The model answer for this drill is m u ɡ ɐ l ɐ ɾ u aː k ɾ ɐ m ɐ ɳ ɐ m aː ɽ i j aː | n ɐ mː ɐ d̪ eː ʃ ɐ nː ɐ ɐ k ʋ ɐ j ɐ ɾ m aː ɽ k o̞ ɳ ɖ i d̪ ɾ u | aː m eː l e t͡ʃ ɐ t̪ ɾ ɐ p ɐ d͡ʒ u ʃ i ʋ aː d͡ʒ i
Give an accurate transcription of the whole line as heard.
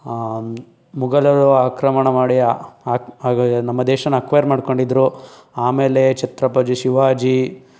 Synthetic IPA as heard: m u ɡ ɐ l ɐ ɾ u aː k ɾ ɐ m ɐ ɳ ɐ m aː ɽ i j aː | n ɐ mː ɐ d̪ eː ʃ ɐ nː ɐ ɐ k ʋ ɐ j ɐ ɾ m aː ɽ k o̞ ɳ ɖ i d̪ ɾ u | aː m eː l e t͡ʃ ɐ t̪ ɾ ɐ p ɐ d͡ʒ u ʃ i ʋ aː d͡ʒ i